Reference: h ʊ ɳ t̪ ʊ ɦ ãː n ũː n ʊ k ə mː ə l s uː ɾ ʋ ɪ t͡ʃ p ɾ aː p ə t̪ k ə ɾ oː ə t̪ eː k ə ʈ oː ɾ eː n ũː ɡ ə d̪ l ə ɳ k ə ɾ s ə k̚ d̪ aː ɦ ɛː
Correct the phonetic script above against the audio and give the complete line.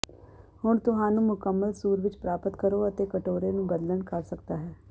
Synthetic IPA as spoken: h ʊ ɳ t̪ ʊ ɦ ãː n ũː m ʊ k ə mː ə l s uː ɾ ʋ ɪ t͡ʃ p ɾ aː p ə t̪ k ə ɾ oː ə t̪ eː k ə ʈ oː ɾ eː n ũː ɡ ə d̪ l ə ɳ k ə ɾ s ə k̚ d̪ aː ɦ ɛː

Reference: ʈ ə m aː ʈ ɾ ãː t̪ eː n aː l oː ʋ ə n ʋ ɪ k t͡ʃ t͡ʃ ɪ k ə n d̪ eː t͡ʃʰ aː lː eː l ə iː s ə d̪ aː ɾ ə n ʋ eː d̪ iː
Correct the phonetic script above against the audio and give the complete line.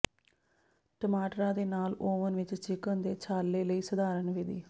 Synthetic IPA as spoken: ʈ ə m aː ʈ ɾ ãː d̪ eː n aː l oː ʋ ə n ʋ ɪ t͡ʃ t͡ʃ ɪ k ə n d̪ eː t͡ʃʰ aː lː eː l ə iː s ə d̪ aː ɾ ə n ʋ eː d̪ iː

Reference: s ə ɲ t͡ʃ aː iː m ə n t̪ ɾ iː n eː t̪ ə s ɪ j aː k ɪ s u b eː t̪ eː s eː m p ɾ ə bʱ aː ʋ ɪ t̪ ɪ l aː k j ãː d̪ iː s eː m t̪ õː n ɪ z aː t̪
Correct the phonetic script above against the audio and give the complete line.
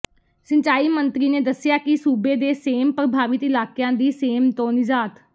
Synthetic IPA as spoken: s ə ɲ t͡ʃ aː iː m ə n t̪ ɾ iː n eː d̪ ə s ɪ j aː k ɪ s uː b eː d̪ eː s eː m p ɾ ə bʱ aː ʋ ɪ t̪ ɪ l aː k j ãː d̪ iː s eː m t̪ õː n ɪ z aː t̪

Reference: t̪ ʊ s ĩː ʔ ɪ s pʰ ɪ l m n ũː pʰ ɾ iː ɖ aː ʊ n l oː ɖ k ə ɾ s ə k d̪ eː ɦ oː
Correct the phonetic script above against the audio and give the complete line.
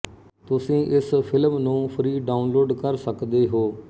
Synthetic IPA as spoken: t̪ ʊ s ĩː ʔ ɪ s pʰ ɪ l m n ũː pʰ ɾ iː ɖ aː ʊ n l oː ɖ k ə ɾ s ə k d̪ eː ɦ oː

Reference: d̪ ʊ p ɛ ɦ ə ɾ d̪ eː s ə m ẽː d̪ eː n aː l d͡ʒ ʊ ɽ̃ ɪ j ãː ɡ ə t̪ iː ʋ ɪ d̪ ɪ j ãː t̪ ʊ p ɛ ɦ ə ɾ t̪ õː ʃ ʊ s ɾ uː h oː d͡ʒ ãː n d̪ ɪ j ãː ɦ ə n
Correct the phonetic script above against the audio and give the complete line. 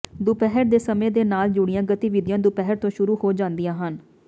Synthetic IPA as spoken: d̪ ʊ p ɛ ɦ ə ɾ d̪ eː s ə m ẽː d̪ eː n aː l d͡ʒ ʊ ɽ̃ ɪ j ãː ɡ ə t̪ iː ʋ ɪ d̪ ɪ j ãː d̪ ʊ p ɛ ɦ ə ɾ t̪ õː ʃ ʊ ɾ uː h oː d͡ʒ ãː n d̪ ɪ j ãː ɦ ə n

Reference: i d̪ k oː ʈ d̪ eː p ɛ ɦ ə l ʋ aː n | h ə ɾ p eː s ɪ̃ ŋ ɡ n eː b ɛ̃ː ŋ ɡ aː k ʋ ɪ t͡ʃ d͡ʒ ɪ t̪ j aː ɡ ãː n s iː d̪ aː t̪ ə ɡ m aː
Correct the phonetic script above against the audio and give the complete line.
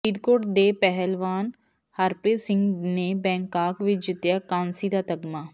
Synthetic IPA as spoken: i d̪ k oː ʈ d̪ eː p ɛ ɦ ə l ʋ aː n | h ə ɾ p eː s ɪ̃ ŋ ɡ n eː b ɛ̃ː ŋ k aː k ʋ ɪ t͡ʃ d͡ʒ ɪ t̪ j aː k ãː n s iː d̪ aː t̪ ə ɡ m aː

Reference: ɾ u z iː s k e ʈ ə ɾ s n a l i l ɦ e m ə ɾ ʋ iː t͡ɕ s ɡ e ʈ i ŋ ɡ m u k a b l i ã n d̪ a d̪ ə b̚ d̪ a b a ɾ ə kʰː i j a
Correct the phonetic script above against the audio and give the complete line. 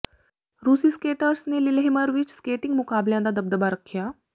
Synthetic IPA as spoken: ɾ u s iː s k e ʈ ə ɾ s n e l i l ɦ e m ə ɾ ʋ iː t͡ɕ s k e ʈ i ŋ ɡ m u k a b l j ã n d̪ a d̪ ə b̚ d̪ ə b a ɾ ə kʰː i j a

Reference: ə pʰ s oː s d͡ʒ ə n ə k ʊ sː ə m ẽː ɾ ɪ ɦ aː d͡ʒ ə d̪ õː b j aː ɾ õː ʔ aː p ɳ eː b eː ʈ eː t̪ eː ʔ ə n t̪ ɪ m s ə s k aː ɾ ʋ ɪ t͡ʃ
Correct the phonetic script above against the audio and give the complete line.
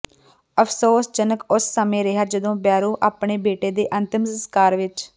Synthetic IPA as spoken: ə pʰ s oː s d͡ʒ ə n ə k ʊ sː ə m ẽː ɾ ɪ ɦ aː d͡ʒ ə d̪ õː b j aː ɾ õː ʔ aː p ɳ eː b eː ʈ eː d̪ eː ʔ ə n t̪ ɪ m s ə s k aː ɾ ʋ ɪ t͡ʃ

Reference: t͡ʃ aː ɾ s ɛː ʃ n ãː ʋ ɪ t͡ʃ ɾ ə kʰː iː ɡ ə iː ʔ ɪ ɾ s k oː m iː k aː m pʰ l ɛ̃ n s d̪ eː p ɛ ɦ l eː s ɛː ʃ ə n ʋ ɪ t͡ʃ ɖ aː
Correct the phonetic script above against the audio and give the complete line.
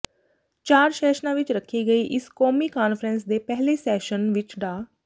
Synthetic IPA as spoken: t͡ʃ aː ɾ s ɛː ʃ n ãː ʋ ɪ t͡ʃ ɾ ə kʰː iː ɡ ə iː ʔ ɪ s k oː m iː k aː n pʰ ɾ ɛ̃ n s d̪ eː p ɛ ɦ l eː s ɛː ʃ ə n ʋ ɪ t͡ʃ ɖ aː

